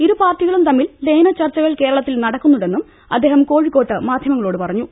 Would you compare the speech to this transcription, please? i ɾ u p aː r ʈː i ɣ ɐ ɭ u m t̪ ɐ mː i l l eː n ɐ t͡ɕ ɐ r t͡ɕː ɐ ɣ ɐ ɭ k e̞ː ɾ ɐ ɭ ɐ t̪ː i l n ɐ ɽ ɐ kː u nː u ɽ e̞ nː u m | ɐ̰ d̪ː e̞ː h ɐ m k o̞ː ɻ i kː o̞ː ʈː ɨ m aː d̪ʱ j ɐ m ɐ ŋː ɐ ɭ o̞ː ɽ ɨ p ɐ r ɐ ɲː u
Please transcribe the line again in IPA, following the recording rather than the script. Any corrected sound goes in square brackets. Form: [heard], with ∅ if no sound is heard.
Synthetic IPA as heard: i ɾ u p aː r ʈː i ɣ ɐ ɭ u m t̪ ɐ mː i l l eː n ɐ t͡ɕ ɐ r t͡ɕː ɐ ɣ ɐ ɭ k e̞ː ɾ ɐ ɭ ɐ t̪ː i l n ɐ ɽ ɐ kː u nː u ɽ e̞ nː u m | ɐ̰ d̪ː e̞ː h ɐ m k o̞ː ɻ i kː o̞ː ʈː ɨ m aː d̪ʱ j ɐ m ɐ ŋː ɐ ɭ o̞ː ɽ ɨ p ɐ r ɐ ɲː u